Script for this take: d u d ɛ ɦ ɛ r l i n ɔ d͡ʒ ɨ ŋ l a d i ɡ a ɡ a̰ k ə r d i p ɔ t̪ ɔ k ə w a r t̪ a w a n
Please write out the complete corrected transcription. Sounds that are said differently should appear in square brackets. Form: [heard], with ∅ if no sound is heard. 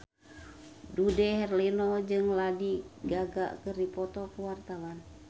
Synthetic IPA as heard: d u d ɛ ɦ ɛ r l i n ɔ d͡ʒ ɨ ŋ l a d i ɡ a ɡ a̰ k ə r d i p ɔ t̪ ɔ k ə w a r t̪ a w a n